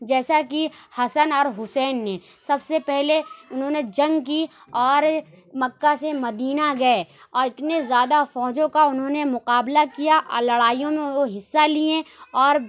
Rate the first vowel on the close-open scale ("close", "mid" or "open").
mid